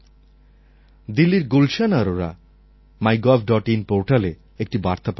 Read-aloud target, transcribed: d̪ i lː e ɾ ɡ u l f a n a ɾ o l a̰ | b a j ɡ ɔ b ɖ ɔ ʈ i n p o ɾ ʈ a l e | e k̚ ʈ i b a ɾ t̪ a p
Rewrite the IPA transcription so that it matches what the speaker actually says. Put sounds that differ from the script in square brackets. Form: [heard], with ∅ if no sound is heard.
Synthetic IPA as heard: d̪ i lː [i] ɾ ɡ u l [ʃ] a n a ɾ o [ɾ] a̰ | [m] a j ɡ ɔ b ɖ ɔ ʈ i n p o ɾ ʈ a l e | e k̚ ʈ i b a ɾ t̪ a p